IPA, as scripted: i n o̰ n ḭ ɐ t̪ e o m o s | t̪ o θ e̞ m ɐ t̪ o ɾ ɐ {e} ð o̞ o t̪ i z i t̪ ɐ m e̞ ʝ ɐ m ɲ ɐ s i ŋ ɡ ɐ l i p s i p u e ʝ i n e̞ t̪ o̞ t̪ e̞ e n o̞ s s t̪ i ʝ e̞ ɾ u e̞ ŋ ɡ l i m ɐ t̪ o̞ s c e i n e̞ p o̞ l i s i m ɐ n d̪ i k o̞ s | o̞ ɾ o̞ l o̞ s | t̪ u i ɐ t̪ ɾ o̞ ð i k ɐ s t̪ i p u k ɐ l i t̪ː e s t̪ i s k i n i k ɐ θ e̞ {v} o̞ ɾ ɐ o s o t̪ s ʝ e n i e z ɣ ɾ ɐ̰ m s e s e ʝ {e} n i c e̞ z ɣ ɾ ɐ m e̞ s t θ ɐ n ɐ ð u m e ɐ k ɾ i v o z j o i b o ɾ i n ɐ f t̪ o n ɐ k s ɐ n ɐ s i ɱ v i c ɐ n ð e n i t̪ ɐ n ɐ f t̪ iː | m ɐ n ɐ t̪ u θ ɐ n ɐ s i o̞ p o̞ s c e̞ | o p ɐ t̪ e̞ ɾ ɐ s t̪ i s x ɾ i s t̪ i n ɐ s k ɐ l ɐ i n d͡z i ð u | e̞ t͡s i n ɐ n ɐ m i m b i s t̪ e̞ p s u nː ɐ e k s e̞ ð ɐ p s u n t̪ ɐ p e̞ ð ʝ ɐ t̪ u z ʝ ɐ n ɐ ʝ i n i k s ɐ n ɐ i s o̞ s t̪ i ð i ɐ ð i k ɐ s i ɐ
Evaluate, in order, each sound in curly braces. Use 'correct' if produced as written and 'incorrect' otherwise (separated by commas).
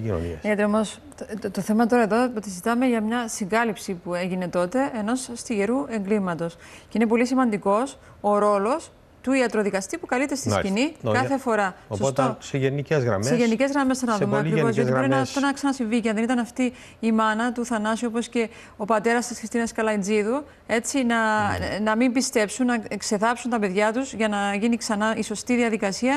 correct, incorrect, correct